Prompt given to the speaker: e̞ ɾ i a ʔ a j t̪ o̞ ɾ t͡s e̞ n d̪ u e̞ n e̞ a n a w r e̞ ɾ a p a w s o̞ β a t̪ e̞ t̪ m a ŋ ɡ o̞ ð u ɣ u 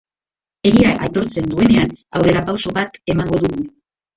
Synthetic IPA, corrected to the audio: e̞ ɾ i a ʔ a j t̪ o̞ ɾ t͡s e̞ n d̪ u e̞ n e̞ a n a w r e̞ ɾ a p a w s o̞ β a t̪ e̞ m a ŋ ɡ o̞ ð u ɣ u